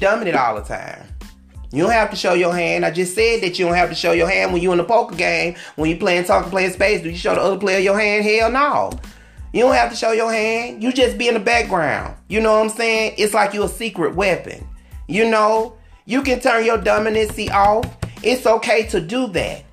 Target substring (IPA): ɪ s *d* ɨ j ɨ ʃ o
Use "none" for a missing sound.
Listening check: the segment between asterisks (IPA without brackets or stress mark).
d